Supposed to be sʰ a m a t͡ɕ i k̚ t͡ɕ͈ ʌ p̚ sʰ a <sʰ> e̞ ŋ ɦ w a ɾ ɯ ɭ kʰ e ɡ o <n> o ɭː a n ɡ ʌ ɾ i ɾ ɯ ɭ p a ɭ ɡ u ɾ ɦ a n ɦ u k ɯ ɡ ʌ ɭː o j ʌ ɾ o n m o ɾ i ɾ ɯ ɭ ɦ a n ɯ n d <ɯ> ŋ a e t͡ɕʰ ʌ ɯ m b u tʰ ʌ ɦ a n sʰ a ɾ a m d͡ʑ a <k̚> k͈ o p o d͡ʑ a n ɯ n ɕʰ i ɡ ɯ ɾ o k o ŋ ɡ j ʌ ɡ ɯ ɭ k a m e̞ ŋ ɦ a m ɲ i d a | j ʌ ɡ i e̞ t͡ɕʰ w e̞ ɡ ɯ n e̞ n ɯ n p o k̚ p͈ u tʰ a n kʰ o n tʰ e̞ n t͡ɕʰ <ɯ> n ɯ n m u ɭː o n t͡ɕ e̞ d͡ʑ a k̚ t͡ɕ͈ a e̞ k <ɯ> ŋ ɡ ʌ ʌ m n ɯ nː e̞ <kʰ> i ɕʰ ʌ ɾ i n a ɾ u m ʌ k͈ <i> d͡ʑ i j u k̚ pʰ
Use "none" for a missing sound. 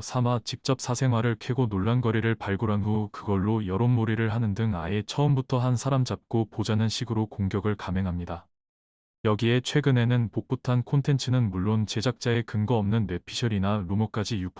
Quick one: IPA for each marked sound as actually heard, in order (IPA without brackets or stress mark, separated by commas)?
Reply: sʰ, n, ɯ, p̚, ɯ, ɯ, pʰ, a